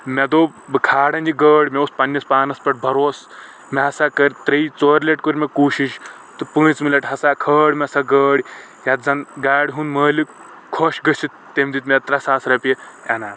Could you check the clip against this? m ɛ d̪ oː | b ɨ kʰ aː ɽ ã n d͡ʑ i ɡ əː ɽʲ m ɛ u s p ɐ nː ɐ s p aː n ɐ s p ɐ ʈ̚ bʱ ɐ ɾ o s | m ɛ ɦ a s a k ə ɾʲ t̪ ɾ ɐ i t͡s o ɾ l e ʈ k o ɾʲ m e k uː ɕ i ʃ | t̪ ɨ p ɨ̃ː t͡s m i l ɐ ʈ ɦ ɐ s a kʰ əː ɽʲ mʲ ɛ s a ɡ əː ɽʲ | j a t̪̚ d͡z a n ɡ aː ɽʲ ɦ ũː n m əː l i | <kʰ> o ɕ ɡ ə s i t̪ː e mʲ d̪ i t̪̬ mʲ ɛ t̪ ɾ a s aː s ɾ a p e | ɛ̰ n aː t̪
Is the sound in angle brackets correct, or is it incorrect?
correct